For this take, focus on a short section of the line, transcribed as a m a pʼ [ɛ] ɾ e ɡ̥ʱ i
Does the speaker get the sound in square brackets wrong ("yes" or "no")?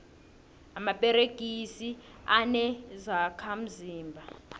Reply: no